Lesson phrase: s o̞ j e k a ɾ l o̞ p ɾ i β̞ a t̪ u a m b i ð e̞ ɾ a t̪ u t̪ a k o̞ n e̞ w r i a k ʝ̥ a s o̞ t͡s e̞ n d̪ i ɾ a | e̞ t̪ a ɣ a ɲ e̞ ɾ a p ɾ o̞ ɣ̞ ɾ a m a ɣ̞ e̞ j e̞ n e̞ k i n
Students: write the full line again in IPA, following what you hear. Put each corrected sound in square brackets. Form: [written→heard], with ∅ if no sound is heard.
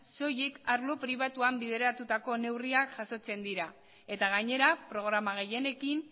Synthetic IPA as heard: s o̞ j e k a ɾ l o̞ p ɾ i β̞ a t̪ u a m b i ð e̞ ɾ a t̪ u t̪ a k o̞ n e̞ w r i a k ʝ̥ a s o̞ t͡s e̞ n d̪ i ɾ a | e̞ t̪ a ɣ a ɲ e̞ ɾ a p ɾ o̞ ɣ̞ ɾ a m a ɣ̞ e̞ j e̞ n e̞ k i n